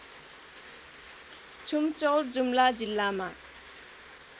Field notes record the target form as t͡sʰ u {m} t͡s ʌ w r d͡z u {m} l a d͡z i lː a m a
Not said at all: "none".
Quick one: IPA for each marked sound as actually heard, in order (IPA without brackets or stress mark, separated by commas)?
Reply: m, m